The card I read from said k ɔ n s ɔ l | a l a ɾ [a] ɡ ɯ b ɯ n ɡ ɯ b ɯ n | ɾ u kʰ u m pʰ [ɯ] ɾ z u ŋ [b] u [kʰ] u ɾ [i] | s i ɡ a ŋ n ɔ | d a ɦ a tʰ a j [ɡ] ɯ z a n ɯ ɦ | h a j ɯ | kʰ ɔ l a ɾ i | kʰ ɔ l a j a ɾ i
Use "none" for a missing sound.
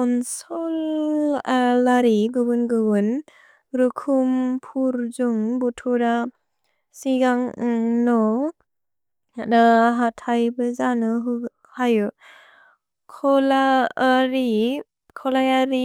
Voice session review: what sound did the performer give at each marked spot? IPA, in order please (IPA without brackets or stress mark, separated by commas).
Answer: i, u, b, tʰ, a, b